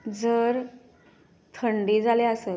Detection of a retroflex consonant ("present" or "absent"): present